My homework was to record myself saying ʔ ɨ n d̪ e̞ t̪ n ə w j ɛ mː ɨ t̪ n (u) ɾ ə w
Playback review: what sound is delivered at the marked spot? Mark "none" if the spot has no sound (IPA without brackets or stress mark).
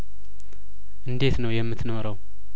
o